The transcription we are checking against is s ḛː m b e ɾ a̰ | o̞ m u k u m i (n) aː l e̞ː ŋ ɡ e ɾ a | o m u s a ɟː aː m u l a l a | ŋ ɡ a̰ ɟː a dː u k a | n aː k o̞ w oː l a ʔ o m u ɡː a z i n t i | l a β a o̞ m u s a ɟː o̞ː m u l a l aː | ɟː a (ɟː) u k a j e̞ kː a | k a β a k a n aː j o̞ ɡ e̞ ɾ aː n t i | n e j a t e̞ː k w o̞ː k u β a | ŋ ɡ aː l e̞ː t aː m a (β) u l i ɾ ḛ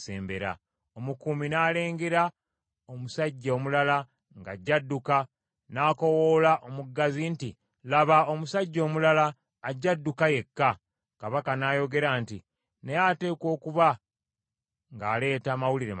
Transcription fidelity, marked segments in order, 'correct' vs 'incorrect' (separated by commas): correct, incorrect, incorrect